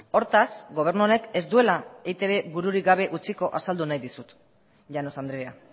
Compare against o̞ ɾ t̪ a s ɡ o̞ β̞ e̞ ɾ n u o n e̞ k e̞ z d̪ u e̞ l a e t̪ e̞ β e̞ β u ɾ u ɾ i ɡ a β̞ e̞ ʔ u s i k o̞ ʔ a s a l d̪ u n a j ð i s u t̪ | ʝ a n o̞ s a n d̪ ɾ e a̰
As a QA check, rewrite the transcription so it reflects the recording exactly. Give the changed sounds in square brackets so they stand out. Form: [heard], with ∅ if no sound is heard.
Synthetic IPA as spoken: o̞ ɾ t̪ a s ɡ o̞ β̞ e̞ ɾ n u o n e̞ k e̞ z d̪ u e̞ l a e t̪ e̞ β e̞ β u ɾ u ɾ i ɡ a β̞ e̞ ʔ u [t͡s] i k o̞ ʔ a s a l d̪ u n a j ð i s u t̪ | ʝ a n o̞ s a n d̪ ɾ e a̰